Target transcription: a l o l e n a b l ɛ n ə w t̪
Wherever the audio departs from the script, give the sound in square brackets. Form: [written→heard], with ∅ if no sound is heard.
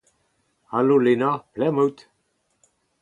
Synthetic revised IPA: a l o l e n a [b→p] l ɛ [n→m] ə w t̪